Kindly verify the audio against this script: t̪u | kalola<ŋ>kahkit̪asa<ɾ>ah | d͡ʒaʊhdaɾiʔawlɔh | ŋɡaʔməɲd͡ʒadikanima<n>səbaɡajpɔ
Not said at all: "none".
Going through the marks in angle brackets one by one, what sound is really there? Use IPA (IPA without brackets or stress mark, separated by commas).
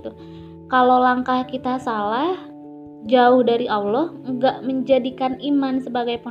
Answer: ŋ, l, n